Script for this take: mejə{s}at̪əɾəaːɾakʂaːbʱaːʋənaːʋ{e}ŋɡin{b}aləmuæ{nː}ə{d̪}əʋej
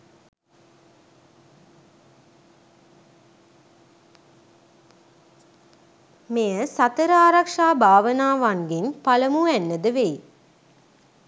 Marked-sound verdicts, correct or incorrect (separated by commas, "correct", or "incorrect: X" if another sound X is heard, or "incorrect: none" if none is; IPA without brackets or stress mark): correct, incorrect: a, incorrect: p, correct, correct